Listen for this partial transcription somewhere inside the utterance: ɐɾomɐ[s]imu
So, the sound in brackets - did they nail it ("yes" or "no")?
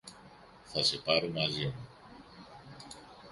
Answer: no